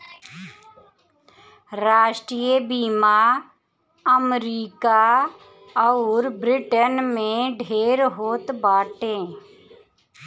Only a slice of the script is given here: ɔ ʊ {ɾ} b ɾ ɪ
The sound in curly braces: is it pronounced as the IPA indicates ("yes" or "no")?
yes